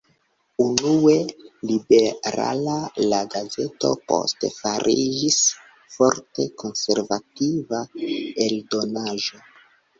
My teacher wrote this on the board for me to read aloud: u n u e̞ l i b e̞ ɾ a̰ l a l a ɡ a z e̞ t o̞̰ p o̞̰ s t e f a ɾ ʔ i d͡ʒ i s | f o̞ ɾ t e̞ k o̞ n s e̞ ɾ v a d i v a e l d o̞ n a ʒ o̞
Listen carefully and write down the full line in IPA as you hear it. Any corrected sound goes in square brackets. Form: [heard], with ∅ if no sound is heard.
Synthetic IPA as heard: u n u e̞ l i b e̞ ɾ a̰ l a l a ɡ a z e̞ t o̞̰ p o̞̰ s t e f a ɾ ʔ i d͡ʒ i s | f o̞ ɾ t e̞ k o̞ n s e̞ ɾ v a [t] i v a e l d o̞ n a ʒ o̞

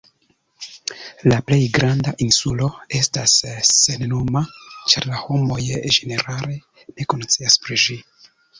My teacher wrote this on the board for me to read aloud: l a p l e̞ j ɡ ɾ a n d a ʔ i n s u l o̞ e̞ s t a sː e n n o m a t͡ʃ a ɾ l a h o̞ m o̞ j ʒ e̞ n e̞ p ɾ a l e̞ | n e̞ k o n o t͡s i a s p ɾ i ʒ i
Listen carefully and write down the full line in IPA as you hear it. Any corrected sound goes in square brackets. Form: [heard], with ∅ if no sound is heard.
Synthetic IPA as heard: l a p l e̞ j ɡ ɾ a n d a ʔ i n s u l o̞ e̞ s t a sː e n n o m a t͡ʃ a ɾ l a h o̞ m o̞ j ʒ e̞ n e̞ [∅] ɾ a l e̞ | n e̞ k o n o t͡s i a s p ɾ i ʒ i

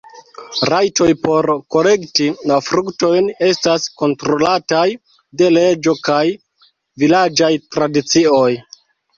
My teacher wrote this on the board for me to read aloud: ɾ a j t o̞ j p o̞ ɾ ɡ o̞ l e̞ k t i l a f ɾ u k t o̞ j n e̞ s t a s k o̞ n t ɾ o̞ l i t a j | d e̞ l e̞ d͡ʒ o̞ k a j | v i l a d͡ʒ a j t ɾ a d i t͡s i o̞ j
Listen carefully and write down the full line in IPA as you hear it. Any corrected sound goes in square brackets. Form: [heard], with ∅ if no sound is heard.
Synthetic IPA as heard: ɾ a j t o̞ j p o̞ ɾ [k] o̞ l e̞ k t i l a f ɾ u k t o̞ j n e̞ s t a s k o̞ n t ɾ o̞ l [a] t a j | d e̞ l e̞ d͡ʒ o̞ k a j | v i l a d͡ʒ a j t ɾ a d i t͡s i o̞ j

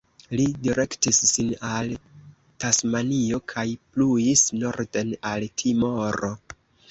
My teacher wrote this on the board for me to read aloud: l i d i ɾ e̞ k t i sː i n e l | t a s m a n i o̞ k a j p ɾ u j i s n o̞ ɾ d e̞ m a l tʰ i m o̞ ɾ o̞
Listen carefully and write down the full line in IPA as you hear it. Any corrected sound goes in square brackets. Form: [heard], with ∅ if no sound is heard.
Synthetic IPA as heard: l i d i ɾ e̞ k t i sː i n [a] l | t a s m a n i o̞ [kʰ] a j p [l] u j i s n o̞ ɾ d e̞ [n] a l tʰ i m o̞ ɾ o̞

